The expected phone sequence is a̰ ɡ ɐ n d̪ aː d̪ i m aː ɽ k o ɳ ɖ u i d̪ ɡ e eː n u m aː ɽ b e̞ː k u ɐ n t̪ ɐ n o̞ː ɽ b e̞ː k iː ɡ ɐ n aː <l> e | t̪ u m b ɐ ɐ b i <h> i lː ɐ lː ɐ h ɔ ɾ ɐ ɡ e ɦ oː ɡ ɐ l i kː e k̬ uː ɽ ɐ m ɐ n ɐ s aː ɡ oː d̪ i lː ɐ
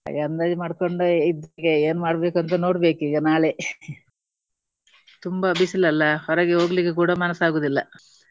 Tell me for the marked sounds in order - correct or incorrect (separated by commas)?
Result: incorrect, incorrect